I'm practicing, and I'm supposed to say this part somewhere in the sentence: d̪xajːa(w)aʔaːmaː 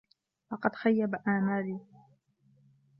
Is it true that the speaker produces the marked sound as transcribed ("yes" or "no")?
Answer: no